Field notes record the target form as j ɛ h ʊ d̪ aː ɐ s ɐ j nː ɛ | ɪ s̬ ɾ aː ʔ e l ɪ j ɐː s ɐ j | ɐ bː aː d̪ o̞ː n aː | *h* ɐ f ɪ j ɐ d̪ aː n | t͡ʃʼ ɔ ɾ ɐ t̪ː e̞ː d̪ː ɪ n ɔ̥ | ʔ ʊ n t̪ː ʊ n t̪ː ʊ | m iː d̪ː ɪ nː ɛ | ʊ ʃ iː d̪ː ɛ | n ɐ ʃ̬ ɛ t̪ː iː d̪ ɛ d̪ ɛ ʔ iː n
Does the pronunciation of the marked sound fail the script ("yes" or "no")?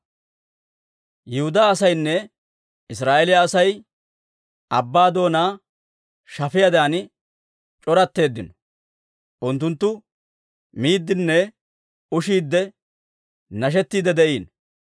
yes